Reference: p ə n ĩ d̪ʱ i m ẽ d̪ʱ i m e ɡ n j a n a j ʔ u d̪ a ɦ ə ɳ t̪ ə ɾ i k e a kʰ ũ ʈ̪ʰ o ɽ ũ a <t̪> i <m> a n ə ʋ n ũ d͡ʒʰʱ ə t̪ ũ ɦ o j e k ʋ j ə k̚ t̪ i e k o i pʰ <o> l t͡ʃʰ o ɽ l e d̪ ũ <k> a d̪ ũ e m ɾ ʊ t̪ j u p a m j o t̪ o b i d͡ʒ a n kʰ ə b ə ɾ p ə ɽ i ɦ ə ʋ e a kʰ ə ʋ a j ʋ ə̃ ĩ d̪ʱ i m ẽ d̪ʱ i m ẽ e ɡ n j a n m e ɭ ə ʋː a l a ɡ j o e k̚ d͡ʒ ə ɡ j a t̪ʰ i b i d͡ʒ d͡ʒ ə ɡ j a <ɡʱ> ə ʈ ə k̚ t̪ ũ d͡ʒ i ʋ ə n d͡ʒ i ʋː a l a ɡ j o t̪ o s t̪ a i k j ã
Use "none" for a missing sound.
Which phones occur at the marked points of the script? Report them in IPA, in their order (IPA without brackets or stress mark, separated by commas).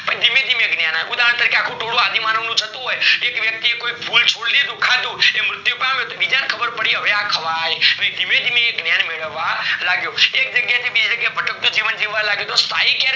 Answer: d̪, m, u, kʰ, bʱ